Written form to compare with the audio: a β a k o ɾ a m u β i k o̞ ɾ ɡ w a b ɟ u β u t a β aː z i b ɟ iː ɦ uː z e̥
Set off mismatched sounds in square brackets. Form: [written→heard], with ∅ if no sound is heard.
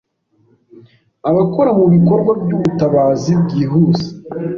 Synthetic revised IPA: a β a k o ɾ a m u β i k o̞ ɾ ɡ w a b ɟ u β u t a β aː z i b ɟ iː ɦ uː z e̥